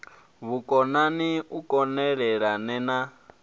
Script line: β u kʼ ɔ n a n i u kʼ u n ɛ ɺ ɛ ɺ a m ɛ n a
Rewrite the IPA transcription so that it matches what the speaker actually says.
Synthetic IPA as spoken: β u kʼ ɔ n a n i u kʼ ɔ n ɛ ɺ ɛ ɺ a n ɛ n a